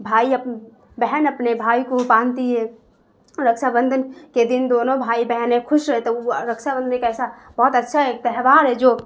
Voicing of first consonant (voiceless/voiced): voiced